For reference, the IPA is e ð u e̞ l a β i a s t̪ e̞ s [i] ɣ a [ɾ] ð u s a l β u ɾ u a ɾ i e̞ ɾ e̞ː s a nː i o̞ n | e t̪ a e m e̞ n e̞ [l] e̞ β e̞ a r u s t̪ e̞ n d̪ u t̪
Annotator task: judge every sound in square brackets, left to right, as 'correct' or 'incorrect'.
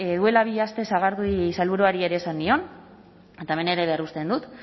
incorrect: a, correct, incorrect: ɾ

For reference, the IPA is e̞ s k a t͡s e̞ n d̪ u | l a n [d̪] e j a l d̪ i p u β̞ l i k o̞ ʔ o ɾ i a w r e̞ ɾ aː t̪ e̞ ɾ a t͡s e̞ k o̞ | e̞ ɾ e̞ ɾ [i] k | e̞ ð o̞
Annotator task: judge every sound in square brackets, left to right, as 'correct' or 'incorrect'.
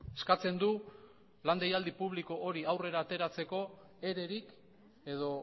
correct, correct

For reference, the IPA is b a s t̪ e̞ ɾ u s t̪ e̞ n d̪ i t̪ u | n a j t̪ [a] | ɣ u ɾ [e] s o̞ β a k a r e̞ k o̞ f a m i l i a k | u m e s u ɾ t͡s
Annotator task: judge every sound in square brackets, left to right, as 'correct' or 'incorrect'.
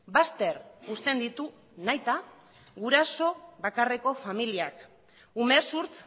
correct, incorrect: a

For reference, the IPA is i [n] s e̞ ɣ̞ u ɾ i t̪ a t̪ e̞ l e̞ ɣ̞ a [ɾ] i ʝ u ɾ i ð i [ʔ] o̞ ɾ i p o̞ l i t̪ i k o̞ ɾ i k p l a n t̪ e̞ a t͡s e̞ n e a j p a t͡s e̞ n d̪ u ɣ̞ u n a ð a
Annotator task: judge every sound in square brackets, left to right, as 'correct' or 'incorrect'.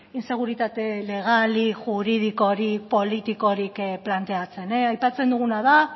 correct, incorrect: l, incorrect: k

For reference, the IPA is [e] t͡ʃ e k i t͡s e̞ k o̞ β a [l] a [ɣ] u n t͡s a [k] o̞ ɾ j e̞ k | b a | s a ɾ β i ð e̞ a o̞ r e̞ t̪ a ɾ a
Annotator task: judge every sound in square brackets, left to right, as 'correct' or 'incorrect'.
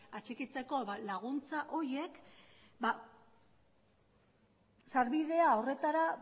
incorrect: a, correct, correct, incorrect: ʔ

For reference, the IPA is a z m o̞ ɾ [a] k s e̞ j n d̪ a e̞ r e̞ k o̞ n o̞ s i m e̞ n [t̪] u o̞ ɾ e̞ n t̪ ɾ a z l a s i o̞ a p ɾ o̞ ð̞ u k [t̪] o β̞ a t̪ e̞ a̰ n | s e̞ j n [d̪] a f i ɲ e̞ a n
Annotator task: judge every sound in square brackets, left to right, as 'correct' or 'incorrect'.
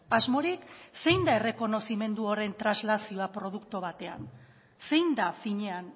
incorrect: i, incorrect: d̪, correct, correct

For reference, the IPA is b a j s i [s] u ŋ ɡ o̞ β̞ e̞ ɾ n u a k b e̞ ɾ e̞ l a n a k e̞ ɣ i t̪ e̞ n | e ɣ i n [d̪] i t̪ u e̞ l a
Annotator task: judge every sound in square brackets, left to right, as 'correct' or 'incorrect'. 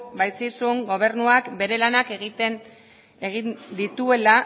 correct, correct

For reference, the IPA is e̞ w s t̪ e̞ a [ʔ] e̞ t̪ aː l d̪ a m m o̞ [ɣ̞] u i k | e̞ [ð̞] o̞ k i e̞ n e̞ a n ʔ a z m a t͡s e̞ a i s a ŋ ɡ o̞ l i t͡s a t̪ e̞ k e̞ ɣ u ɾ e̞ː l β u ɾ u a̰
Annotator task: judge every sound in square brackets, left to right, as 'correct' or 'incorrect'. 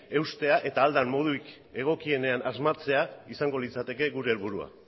correct, incorrect: ð̞, incorrect: ɣ̞

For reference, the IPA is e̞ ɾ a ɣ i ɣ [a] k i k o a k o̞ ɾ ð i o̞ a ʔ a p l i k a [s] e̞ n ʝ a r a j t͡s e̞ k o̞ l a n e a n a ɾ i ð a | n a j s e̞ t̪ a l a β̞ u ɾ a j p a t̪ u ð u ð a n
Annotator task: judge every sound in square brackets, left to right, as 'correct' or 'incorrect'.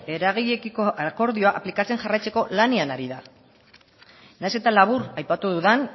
incorrect: e, incorrect: t͡s

